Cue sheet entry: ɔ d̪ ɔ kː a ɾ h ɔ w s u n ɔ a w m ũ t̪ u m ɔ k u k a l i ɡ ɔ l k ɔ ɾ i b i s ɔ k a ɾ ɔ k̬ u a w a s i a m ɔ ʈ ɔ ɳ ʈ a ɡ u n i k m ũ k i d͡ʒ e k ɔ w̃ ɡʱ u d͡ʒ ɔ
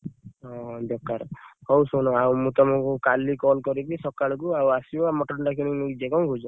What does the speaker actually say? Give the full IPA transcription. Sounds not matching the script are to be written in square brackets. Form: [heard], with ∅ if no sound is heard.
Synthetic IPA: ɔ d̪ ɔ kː a ɾ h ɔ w s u n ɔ a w m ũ t̪ [ɔ] m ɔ k u k a l i [k] ɔ l k ɔ ɾ i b i s ɔ k a [ɭ] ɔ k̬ u a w a s i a m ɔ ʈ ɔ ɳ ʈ a [k] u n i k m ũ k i d͡ʒ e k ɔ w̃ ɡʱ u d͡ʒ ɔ